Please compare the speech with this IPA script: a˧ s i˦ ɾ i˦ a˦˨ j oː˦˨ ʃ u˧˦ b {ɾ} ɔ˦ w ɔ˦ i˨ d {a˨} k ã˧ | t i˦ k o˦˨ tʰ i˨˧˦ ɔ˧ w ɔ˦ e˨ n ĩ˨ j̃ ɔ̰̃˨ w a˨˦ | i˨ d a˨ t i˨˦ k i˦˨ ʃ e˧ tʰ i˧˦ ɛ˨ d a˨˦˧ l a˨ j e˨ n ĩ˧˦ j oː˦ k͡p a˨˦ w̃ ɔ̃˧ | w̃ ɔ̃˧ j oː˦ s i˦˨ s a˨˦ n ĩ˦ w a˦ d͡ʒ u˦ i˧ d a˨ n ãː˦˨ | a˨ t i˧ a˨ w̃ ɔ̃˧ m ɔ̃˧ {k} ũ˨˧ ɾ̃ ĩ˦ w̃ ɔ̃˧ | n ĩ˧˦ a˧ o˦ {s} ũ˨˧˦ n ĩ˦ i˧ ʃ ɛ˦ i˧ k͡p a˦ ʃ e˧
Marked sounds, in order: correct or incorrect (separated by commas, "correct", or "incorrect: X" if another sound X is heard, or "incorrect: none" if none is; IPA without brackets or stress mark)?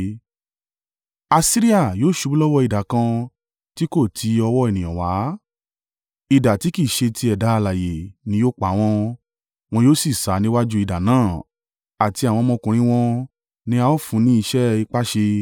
incorrect: l, correct, correct, incorrect: f